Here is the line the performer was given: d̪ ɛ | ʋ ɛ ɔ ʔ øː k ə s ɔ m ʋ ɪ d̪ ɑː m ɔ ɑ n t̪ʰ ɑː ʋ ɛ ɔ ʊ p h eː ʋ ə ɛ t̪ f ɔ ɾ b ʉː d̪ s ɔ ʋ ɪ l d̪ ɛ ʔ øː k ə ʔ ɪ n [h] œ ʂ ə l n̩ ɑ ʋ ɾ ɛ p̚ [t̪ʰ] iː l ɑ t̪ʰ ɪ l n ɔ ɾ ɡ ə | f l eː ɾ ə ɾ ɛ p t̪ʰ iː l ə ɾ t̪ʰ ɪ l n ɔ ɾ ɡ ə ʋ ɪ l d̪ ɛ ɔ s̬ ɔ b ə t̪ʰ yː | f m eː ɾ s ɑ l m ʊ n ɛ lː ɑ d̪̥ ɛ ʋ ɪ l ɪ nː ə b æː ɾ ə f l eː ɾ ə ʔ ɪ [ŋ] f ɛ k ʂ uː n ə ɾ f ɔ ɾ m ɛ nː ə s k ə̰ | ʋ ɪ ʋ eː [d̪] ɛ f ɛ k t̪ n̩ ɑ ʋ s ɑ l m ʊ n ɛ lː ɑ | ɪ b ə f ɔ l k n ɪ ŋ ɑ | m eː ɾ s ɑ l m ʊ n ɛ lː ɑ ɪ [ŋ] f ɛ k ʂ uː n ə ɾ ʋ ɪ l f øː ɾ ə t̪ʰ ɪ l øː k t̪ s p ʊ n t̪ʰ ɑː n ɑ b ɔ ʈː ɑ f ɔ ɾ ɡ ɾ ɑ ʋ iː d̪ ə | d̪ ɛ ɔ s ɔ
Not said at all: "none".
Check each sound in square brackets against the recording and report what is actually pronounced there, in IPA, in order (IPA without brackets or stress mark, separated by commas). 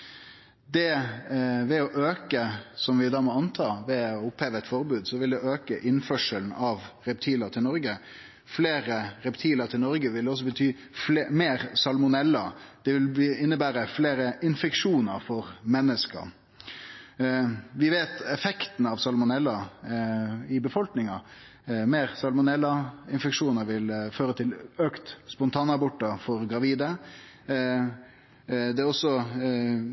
f, t̪ʰ, n, t̪, n